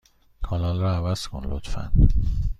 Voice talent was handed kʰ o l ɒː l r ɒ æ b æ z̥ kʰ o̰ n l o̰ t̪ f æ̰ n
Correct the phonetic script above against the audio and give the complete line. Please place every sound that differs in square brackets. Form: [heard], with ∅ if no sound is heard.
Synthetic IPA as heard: kʰ [ɒ] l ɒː l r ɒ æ [v] æ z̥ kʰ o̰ n l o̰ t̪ f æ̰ n